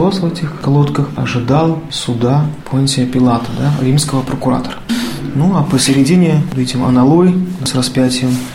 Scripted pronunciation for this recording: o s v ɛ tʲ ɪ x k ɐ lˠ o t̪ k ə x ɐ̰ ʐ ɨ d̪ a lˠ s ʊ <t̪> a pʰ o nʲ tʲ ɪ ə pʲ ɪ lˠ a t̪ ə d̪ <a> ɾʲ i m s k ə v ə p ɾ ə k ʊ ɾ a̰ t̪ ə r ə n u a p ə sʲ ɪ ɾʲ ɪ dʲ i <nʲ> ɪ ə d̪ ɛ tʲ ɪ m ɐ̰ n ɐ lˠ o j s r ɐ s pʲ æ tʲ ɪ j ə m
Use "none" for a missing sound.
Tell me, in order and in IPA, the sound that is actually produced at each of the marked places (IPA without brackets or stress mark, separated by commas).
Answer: d̪, a, nʲ